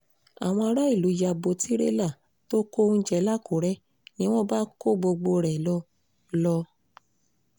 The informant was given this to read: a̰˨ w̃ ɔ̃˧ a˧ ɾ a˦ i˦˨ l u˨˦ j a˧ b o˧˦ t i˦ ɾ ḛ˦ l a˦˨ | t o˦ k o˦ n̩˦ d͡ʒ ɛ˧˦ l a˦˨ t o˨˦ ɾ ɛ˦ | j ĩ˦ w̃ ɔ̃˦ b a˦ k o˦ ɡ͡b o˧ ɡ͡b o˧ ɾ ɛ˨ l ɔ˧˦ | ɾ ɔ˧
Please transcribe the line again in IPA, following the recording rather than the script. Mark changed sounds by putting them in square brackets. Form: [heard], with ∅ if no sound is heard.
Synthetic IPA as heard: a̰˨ w̃ ɔ̃˧ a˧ ɾ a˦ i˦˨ l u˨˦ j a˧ b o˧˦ t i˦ ɾ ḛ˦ l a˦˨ | t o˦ k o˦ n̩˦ d͡ʒ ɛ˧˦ l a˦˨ [k] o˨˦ ɾ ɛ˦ | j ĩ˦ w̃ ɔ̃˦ b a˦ k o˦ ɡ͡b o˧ ɡ͡b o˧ ɾ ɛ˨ l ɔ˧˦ | [l] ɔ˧

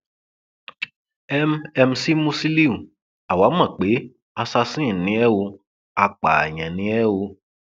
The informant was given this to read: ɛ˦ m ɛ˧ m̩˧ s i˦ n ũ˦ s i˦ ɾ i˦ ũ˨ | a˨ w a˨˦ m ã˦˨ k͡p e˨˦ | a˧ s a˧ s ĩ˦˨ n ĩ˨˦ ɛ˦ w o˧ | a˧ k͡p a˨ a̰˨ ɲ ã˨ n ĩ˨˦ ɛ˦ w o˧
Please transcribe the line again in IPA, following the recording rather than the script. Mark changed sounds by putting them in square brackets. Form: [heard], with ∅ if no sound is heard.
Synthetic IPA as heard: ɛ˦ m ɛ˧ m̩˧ s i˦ [m] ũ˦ s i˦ [l] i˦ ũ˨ | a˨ w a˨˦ m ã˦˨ k͡p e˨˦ | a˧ s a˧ s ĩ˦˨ n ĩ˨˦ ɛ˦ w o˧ | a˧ k͡p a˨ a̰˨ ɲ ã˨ n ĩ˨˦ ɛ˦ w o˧

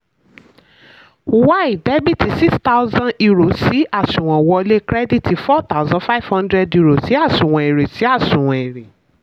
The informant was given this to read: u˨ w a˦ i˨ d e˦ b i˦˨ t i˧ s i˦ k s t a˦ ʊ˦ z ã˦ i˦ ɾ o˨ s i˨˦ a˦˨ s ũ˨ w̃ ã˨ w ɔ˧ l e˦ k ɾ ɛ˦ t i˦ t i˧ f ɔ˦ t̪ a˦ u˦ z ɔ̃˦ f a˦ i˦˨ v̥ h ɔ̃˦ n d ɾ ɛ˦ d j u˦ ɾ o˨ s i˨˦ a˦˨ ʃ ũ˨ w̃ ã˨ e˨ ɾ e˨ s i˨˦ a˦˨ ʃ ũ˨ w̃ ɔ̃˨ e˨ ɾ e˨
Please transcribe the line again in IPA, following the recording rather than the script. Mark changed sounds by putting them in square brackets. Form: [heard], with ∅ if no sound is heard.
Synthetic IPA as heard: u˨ w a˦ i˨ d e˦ b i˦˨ t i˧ s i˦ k s t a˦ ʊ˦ z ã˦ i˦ ɾ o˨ s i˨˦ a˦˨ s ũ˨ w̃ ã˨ w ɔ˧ l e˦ k ɾ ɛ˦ [d] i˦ t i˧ f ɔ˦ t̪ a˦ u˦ z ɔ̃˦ f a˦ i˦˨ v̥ h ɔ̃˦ n d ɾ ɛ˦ d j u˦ ɾ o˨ s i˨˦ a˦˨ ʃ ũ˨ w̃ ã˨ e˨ ɾ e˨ s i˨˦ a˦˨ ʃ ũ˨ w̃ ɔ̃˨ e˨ ɾ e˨

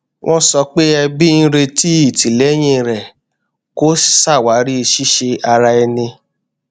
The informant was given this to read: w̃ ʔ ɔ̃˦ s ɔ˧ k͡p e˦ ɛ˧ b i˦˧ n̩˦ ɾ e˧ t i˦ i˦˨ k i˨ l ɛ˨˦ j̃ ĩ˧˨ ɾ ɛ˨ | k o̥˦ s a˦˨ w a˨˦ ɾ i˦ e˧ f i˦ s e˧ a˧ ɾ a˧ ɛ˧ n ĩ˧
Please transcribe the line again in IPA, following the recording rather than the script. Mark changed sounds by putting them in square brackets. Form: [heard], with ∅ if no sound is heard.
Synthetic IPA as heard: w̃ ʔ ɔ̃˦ s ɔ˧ k͡p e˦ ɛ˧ b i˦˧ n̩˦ ɾ e˧ t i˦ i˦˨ [t] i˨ l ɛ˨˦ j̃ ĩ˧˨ ɾ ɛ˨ | k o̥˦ s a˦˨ w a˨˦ ɾ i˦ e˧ [ʃ] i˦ [ʃ] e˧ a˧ ɾ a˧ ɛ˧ n ĩ˧

